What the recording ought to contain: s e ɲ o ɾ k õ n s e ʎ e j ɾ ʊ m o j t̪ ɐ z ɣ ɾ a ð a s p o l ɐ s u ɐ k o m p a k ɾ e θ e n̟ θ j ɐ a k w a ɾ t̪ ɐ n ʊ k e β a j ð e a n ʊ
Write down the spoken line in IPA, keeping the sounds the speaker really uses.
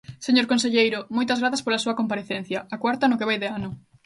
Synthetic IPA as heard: s e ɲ o ɾ k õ n s e ʎ e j ɾ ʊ m o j t̪ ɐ z ɣ ɾ a θ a s p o l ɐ s u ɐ k o m p a ɾ e θ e n̟ θ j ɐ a k w a ɾ t̪ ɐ n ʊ k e β a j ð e a n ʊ